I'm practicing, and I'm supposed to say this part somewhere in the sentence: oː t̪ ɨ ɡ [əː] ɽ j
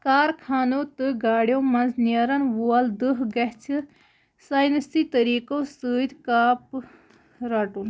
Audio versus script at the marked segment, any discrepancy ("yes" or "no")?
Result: yes